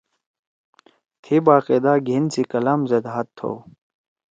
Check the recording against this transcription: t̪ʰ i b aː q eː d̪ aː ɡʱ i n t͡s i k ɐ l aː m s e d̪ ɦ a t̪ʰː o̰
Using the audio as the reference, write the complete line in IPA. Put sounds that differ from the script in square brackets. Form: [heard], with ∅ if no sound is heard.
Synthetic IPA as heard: t̪ʰ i b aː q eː d̪ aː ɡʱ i n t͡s i k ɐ l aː m [z] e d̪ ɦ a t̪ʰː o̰